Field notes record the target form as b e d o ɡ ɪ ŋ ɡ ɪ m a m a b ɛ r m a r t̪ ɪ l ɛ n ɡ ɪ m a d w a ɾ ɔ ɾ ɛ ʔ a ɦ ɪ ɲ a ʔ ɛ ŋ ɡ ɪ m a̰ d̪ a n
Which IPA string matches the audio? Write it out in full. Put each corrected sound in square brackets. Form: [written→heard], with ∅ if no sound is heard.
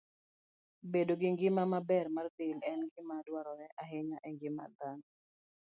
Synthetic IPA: b e d o ɡ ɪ ŋ ɡ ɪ m a m a b ɛ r m a r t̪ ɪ l ɛ n ɡ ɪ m a d w a ɾ ɔ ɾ ɛ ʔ a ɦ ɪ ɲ a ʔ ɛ ŋ ɡ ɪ m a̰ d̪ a n